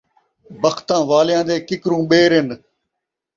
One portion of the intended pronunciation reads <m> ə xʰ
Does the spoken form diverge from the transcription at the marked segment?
yes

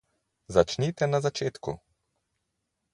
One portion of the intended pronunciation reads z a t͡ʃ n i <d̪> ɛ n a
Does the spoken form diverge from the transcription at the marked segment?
yes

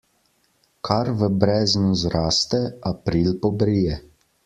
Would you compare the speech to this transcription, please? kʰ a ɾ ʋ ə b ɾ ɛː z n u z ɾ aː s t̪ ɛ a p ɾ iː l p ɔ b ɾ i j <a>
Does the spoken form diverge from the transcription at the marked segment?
yes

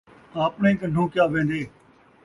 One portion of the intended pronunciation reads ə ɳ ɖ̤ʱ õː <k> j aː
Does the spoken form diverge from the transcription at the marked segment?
no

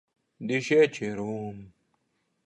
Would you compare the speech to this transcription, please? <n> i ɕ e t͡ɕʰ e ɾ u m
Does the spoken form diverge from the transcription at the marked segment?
yes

